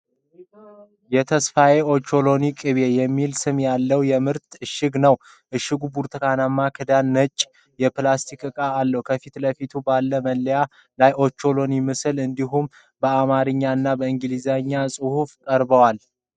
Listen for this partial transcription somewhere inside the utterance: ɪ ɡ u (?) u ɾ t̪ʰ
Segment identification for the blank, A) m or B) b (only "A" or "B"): B